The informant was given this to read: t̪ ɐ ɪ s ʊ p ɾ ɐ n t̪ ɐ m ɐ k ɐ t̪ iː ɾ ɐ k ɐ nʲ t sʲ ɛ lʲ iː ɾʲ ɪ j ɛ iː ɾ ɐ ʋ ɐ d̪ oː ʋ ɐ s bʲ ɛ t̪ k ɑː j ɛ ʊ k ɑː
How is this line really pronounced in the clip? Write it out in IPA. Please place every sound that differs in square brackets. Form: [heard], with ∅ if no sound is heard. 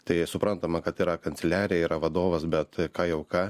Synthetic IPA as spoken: t̪ ɐ ɪ s ʊ p ɾ ɐ n t̪ ɐ m ɐ k ɐ t̪ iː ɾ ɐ k ɐ nʲ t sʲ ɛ lʲ [æː] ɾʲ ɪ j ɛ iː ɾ ɐ ʋ ɐ d̪ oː ʋ ɐ s bʲ ɛ t̪ k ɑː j ɛ ʊ k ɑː

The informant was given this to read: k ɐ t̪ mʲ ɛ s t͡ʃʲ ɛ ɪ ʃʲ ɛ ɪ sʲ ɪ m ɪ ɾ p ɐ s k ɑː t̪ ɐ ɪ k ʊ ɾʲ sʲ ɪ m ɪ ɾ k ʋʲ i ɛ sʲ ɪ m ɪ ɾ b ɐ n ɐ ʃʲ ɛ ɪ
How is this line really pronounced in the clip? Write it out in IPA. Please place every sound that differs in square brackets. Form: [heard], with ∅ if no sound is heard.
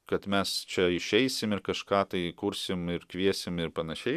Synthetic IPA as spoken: k ɐ t̪ mʲ ɛ s t͡ʃʲ ɛ ɪ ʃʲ ɛ ɪ sʲ ɪ m ɪ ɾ [k] ɐ [ʃ] k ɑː t̪ ɐ ɪ k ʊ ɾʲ sʲ ɪ m ɪ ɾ k ʋʲ i ɛ sʲ ɪ m ɪ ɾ [p] ɐ n ɐ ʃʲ ɛ ɪ

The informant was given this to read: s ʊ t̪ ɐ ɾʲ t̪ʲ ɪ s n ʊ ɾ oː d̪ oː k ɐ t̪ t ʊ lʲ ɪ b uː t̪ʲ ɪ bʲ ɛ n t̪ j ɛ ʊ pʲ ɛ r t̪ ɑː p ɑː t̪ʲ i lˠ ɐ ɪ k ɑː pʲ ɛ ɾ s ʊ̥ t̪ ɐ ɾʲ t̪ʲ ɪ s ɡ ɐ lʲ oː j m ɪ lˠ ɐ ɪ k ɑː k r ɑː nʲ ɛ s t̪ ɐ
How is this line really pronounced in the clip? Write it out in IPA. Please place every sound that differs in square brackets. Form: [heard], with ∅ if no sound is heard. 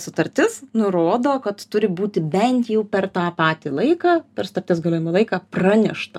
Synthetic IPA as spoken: s ʊ t̪ ɐ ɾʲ t̪ʲ ɪ s n ʊ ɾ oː d̪ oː k ɐ t̪ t ʊ [ɾʲ] ɪ b uː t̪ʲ ɪ bʲ ɛ n t̪ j ɛ ʊ pʲ ɛ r t̪ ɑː p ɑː t̪ʲ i lˠ ɐ ɪ k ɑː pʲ ɛ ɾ s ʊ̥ t̪ ɐ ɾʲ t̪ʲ ɪ s ɡ ɐ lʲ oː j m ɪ lˠ ɐ ɪ k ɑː [p] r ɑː nʲ ɛ [ʃ] t̪ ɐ

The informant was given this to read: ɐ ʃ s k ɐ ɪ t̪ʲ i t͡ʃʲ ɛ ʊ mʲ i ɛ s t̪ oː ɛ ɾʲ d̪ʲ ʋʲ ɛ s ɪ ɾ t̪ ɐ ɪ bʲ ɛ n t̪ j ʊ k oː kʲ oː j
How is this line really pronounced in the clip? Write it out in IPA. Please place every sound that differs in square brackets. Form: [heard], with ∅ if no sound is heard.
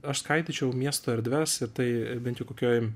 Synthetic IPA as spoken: ɐ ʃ s k ɐ ɪ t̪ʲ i t͡ʃʲ ɛ ʊ mʲ i ɛ s t̪ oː ɛ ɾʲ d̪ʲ ʋʲ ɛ s ɪ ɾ t̪ ɐ ɪ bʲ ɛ n t̪ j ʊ k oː kʲ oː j

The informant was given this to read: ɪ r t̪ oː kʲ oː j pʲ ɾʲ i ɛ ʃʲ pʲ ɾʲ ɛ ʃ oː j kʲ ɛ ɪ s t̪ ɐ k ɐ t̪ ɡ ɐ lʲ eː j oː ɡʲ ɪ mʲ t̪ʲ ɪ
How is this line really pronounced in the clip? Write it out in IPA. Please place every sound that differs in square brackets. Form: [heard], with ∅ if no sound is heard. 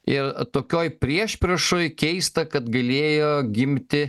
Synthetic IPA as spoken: ɪ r t̪ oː kʲ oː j pʲ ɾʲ i ɛ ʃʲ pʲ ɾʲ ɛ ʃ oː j kʲ ɛ ɪ s t̪ ɐ k ɐ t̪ ɡ ɐ lʲ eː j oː ɡʲ ɪ mʲ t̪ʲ ɪ

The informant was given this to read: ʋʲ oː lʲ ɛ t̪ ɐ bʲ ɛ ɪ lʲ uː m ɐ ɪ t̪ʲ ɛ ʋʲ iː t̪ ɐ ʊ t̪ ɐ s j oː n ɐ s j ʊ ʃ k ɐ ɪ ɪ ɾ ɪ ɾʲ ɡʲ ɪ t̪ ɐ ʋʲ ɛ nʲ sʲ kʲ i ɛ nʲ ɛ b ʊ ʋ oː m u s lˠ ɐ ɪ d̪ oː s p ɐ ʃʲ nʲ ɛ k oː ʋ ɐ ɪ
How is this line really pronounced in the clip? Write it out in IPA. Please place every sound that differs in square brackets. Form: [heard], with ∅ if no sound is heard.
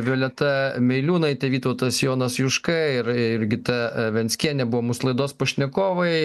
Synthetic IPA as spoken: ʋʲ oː lʲ ɛ t̪ ɐ [mʲ] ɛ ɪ lʲ uː [n] ɐ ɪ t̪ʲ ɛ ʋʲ iː t̪ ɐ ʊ t̪ ɐ s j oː n ɐ s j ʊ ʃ k ɐ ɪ ɪ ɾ ɪ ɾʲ ɡʲ ɪ t̪ ɐ ʋʲ ɛ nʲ sʲ kʲ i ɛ nʲ ɛ b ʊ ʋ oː m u s lˠ ɐ ɪ d̪ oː s p ɐ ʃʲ nʲ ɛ k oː ʋ ɐ ɪ

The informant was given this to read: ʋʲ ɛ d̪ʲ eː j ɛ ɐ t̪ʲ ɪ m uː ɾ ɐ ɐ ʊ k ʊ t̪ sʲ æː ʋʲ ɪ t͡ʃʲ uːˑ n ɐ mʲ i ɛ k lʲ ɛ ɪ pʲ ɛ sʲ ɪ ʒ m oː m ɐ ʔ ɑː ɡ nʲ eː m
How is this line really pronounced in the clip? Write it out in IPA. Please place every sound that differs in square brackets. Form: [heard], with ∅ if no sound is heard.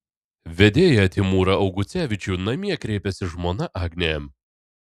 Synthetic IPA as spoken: ʋʲ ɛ d̪ʲ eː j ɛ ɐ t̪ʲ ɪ m uː ɾ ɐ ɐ ʊ [ɡ] ʊ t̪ sʲ æː ʋʲ ɪ t͡ʃʲ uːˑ n ɐ mʲ i ɛ k [ɾʲ] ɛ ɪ pʲ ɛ sʲ ɪ ʒ m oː [n] ɐ ʔ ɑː ɡ nʲ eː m

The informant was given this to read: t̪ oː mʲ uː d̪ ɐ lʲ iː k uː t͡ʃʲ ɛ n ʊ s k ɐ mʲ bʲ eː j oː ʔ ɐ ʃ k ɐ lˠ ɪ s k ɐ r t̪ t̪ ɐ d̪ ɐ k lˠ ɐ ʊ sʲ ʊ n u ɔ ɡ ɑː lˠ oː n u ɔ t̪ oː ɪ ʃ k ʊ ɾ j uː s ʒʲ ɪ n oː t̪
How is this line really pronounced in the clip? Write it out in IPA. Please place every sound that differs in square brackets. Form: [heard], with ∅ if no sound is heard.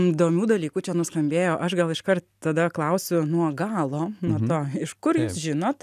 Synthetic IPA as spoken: [d̪] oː mʲ uː d̪ ɐ lʲ iː k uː t͡ʃʲ ɛ n ʊ s k ɐ mʲ bʲ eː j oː ʔ ɐ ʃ [ɡ] ɐ lˠ ɪ [ʃ] k ɐ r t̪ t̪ ɐ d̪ ɐ k lˠ ɐ ʊ sʲ ʊ n u ɔ ɡ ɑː lˠ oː n u ɔ t̪ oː ɪ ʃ k ʊ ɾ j uː s ʒʲ ɪ n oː t̪

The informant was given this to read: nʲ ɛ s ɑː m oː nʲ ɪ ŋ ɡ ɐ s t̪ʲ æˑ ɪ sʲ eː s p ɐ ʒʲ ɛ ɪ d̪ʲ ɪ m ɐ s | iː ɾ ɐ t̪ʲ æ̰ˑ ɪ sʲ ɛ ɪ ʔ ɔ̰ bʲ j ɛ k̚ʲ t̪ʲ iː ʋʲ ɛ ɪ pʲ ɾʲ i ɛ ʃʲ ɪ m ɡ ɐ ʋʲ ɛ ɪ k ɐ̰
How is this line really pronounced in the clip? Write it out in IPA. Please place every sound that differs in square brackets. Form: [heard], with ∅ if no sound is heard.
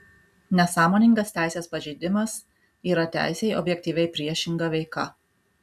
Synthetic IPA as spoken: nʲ ɛ s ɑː m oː nʲ ɪ ŋ ɡ ɐ s t̪ʲ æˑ ɪ sʲ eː s p ɐ ʒʲ ɛ ɪ d̪ʲ ɪ m ɐ s | iː ɾ ɐ t̪ʲ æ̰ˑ ɪ sʲ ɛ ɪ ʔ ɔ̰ bʲ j ɛ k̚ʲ t̪ʲ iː ʋʲ ɛ ɪ pʲ ɾʲ i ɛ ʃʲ ɪ [ŋ] ɡ ɐ ʋʲ ɛ ɪ k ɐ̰

